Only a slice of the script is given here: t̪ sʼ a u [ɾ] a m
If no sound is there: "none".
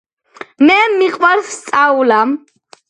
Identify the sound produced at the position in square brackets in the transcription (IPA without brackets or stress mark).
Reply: l